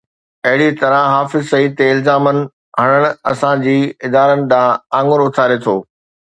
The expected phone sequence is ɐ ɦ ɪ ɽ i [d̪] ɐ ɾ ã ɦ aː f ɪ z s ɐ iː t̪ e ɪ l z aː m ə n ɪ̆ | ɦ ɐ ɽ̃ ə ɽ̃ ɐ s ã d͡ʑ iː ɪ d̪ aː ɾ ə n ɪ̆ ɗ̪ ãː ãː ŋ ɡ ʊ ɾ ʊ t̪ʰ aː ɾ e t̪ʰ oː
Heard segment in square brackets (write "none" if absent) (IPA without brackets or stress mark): t̪